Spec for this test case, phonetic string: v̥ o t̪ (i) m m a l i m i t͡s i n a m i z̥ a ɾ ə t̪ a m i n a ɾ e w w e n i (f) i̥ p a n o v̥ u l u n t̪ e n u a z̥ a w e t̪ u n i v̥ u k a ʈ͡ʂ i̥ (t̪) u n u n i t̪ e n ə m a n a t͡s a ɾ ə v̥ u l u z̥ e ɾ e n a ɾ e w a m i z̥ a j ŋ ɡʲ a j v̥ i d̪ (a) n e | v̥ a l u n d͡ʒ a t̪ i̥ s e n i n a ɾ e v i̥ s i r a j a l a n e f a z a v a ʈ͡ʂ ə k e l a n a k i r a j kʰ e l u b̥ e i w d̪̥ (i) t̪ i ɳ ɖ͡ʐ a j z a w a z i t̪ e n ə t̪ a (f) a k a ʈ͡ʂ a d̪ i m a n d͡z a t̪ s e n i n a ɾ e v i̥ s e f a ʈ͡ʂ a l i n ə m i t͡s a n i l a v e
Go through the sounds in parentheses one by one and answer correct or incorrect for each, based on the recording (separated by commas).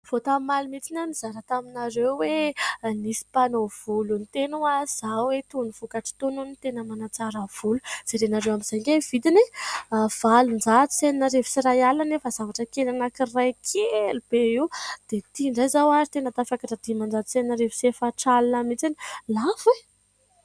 incorrect, incorrect, correct, incorrect, incorrect, correct